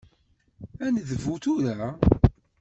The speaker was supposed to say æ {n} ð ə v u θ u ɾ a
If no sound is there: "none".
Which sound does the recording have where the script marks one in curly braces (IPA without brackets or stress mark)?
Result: n